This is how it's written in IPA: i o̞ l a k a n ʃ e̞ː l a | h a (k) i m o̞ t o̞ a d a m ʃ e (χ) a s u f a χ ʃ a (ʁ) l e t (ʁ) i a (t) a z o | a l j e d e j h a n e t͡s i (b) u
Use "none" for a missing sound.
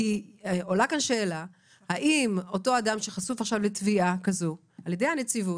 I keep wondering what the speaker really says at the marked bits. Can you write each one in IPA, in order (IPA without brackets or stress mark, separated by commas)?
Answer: ʔ, χ, v, v, k, v